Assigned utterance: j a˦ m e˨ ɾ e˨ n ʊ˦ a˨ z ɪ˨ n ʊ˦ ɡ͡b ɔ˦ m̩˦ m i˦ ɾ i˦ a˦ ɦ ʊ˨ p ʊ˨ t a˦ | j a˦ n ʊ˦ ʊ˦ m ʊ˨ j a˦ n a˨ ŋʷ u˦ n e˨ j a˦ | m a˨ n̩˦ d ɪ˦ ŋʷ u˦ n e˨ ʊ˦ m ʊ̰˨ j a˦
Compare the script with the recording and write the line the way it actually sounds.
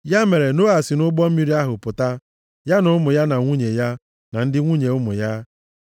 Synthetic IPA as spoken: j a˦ m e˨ ɾ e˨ n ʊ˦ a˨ s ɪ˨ n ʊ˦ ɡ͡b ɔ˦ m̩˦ m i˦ ɾ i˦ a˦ ɦ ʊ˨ p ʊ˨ t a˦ | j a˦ n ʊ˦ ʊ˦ m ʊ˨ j a˦ n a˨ ŋʷ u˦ ɲ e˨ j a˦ | n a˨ n̩˦ d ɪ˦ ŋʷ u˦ ɲ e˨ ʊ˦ m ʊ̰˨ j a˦